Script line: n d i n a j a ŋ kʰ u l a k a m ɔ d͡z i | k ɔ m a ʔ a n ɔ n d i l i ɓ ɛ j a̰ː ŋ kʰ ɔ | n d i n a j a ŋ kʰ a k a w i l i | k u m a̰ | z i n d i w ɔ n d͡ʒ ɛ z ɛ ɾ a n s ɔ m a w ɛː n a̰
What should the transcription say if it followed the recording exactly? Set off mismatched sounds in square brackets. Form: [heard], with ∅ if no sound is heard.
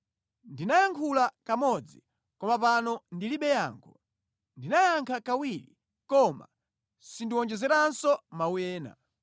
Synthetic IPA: n d i n a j a ŋ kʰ u l a k a m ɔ d͡z i | k ɔ m a [p] a n ɔ n d i l i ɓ ɛ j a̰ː ŋ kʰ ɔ | n d i n a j a ŋ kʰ a k a w i l i | k [ɔ] m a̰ | [s] i n d i w ɔ n d͡ʒ ɛ z ɛ ɾ a n s ɔ m a w ɛː n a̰